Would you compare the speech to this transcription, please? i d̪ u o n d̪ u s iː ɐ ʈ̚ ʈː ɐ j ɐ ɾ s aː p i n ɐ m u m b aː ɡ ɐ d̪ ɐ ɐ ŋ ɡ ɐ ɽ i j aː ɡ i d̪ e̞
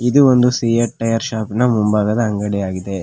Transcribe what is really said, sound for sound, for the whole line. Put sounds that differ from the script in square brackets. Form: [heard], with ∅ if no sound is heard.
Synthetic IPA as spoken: i d̪ u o n d̪ u s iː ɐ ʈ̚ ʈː ɐ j ɐ ɾ [ʃ] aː p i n ɐ m u m b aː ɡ ɐ d̪ ɐ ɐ ŋ ɡ ɐ ɽ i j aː ɡ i d̪ e̞